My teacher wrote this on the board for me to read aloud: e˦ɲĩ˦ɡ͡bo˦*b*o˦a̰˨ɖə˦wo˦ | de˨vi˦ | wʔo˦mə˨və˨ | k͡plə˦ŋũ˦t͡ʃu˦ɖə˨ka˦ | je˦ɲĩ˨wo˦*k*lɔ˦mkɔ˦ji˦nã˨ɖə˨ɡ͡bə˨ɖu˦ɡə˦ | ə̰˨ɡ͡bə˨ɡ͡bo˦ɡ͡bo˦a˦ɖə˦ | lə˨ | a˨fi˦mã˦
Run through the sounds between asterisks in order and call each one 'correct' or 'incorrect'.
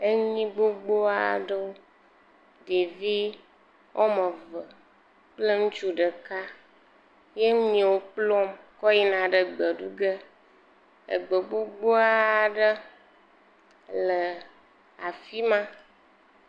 incorrect, incorrect

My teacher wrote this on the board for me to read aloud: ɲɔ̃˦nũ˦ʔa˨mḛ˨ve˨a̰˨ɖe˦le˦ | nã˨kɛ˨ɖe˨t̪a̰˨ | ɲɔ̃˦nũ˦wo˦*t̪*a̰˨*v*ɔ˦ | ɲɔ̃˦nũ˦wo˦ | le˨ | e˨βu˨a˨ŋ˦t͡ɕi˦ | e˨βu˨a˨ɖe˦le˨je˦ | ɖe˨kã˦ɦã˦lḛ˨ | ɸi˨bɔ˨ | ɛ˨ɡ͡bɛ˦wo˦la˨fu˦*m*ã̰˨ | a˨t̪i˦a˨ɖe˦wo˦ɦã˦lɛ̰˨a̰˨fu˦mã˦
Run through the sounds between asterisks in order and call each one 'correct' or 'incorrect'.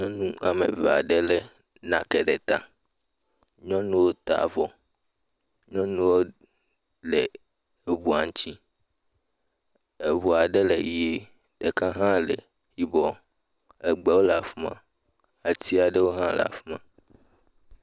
correct, correct, correct

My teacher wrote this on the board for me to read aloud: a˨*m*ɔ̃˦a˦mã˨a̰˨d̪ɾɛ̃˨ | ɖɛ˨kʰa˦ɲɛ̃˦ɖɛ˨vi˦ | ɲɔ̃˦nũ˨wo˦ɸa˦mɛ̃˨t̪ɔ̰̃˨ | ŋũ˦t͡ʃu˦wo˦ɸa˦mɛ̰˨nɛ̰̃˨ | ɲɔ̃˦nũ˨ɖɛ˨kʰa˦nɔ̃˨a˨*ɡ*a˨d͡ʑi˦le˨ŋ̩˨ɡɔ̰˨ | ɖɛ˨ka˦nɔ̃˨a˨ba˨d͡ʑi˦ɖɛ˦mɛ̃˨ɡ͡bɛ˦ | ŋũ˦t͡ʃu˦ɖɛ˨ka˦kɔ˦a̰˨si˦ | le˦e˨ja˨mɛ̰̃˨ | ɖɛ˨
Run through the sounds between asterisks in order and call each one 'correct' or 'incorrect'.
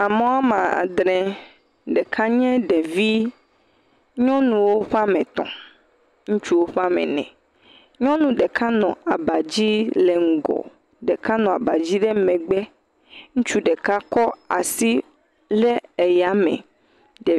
correct, incorrect

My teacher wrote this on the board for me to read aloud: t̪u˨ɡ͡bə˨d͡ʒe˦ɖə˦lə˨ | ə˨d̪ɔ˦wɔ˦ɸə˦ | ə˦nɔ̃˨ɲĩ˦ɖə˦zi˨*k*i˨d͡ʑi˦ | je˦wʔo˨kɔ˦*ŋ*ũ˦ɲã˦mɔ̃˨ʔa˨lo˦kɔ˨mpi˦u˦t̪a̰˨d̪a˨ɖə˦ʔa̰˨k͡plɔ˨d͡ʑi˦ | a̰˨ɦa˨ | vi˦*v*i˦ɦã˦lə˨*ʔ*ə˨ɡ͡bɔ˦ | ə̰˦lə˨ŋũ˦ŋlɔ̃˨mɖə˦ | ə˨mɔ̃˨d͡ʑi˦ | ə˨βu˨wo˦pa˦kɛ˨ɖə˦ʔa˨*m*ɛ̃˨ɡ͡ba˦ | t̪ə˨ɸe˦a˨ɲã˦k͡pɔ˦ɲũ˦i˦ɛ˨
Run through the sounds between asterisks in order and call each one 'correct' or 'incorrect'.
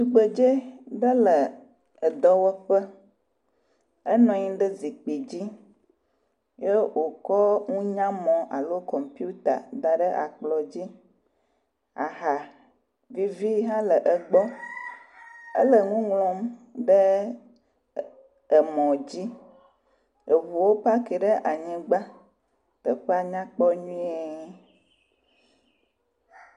incorrect, correct, correct, correct, incorrect

